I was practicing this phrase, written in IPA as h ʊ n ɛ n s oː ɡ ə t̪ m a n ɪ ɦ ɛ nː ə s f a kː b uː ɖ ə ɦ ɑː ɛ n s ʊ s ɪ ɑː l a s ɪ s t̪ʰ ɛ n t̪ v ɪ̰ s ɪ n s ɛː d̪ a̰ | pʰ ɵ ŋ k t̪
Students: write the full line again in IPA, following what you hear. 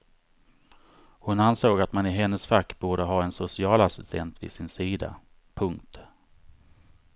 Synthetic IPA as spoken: h ʊ n a n s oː ɡ a t̪ m a n ɪ ɦ ɛ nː ə s f a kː b uː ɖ ə ɦ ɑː ɛ n s ʊ s ɪ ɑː l a s ɪ s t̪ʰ ɛ n t̪ v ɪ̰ s ɪ n s iː d̪ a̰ | pʰ ɵ ŋ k t̪